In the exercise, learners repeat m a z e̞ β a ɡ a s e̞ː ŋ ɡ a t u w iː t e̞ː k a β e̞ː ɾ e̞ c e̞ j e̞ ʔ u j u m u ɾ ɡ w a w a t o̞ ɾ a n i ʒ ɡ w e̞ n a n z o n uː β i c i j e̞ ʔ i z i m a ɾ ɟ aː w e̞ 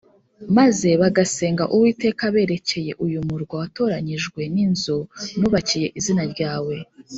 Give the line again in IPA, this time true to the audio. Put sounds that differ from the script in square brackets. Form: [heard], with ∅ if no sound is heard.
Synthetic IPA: m a z e̞ β a ɡ a s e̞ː ŋ ɡ a [ʔ] u w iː t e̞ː k a β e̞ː ɾ e̞ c e̞ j e̞ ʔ u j u m u ɾ ɡ w a w a t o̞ ɾ a [ɲ] i ʒ ɡ w e̞ n [i] n z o n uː β [a] c i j e̞ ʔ i z i [n] a ɾ ɟ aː w e̞